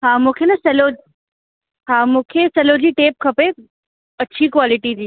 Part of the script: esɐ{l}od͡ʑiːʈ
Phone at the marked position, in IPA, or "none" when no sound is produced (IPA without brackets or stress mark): l